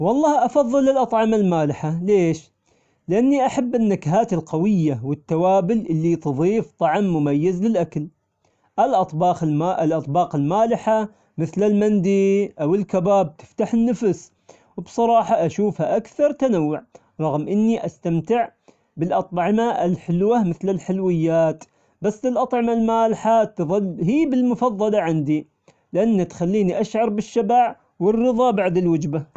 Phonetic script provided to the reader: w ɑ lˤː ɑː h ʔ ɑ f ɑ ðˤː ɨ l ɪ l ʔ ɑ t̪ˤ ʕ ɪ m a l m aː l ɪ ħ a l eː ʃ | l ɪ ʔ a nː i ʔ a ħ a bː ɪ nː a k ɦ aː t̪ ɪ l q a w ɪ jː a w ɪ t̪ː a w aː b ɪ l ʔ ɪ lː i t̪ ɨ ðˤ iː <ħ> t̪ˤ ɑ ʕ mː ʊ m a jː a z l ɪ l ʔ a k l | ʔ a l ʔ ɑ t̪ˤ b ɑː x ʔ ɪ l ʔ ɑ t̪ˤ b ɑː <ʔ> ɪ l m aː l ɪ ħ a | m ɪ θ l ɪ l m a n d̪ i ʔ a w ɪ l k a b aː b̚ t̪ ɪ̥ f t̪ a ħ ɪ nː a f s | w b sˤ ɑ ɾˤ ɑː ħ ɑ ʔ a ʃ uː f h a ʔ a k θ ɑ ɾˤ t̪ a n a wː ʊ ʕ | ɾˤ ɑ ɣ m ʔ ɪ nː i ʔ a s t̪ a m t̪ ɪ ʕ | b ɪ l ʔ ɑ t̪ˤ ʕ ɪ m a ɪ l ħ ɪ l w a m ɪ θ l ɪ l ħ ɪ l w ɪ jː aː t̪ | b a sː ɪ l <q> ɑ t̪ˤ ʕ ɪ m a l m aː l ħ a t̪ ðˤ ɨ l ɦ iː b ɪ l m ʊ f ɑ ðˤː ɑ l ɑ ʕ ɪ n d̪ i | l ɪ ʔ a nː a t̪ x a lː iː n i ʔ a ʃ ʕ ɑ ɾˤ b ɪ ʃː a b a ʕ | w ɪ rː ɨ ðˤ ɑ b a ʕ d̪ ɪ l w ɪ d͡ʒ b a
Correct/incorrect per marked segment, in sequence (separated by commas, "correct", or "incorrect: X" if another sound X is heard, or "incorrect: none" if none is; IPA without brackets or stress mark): incorrect: f, incorrect: q, incorrect: ʔ